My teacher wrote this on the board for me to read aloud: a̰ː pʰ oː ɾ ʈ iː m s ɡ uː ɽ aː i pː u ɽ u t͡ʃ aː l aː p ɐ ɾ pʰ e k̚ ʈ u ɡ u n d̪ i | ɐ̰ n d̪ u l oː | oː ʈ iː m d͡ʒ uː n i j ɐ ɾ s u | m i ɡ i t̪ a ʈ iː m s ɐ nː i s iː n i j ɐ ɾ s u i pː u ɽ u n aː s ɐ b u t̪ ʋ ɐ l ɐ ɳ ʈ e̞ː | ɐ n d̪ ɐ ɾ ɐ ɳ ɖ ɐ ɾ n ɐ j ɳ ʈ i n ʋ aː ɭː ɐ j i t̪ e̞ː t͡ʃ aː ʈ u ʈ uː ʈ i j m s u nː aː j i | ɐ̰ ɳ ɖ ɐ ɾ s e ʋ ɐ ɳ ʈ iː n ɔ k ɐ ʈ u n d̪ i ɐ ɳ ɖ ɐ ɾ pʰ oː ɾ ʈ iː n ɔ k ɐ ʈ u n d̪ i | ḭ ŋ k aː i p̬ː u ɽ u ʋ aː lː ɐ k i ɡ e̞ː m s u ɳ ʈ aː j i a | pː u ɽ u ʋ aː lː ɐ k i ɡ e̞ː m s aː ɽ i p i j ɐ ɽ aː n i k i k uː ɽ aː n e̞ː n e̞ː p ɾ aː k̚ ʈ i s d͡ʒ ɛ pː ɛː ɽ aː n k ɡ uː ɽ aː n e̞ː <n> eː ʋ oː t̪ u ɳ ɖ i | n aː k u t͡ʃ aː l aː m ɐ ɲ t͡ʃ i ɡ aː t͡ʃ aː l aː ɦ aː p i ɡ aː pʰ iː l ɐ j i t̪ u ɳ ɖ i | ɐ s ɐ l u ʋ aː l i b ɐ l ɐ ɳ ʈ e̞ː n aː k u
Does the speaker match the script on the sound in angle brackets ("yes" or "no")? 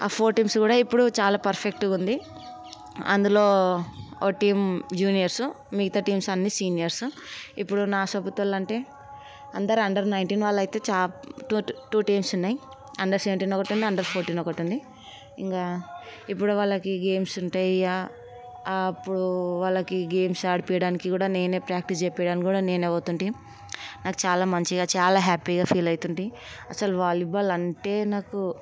yes